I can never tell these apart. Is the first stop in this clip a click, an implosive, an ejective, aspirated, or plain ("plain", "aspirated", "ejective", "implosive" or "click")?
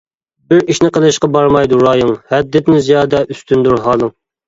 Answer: plain